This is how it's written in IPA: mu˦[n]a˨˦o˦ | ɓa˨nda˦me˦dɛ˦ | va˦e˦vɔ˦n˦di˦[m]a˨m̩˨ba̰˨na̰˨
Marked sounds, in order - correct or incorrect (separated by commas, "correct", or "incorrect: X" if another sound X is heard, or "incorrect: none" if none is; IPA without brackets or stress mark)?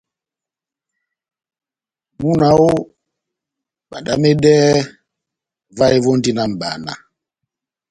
correct, incorrect: n